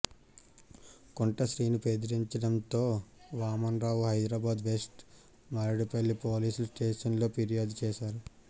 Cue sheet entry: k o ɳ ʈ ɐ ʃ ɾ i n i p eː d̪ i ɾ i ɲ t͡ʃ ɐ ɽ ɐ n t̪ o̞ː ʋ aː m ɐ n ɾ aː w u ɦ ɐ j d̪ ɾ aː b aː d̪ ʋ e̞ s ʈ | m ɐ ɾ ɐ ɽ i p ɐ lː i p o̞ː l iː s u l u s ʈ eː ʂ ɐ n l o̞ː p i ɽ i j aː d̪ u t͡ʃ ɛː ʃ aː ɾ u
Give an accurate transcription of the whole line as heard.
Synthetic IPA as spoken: k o ɳ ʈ ɐ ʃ ɾ iː n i p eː d̪ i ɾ i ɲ t͡ʃ ɐ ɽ ɐ n t̪ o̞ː ʋ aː m ɐ n ɾ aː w u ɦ ɐ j d̪ ɾ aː b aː d̪ ʋ e̞ s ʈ | m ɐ ɾ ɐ ɽ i p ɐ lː i p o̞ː l iː s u l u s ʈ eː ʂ ɐ n l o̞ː p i ɾ i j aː d̪ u t͡ʃ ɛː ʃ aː ɾ u